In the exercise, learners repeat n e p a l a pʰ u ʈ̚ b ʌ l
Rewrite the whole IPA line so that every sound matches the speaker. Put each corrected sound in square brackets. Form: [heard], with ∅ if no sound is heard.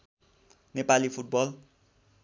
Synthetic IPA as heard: n e p a l [i] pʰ u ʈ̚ b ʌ l